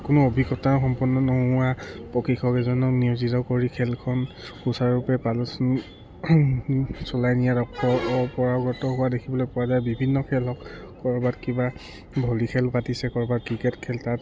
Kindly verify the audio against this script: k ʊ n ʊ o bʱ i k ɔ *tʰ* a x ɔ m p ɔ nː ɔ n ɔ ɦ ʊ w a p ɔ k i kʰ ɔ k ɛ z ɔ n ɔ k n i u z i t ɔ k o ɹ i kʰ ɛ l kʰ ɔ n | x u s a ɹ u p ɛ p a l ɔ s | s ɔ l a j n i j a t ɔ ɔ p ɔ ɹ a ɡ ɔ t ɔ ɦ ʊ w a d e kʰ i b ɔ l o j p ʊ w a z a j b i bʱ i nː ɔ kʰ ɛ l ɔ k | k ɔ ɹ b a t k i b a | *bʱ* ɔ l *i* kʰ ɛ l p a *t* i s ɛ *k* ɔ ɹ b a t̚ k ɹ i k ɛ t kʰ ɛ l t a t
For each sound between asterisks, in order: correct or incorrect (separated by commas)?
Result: incorrect, correct, correct, correct, correct